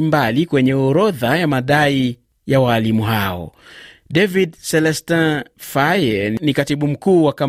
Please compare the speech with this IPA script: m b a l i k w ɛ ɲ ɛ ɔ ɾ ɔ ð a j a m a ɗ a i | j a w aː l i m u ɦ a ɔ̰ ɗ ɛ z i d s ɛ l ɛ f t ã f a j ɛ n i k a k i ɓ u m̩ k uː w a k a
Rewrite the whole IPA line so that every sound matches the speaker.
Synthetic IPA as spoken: m b a l i k w ɛ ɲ ɛ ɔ ɾ ɔ ð a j a m a ɗ a i | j a w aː l i m u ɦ a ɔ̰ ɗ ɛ v i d s ɛ l ɛ s t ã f a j ɛ n i k a t i ɓ u m̩ k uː w a k a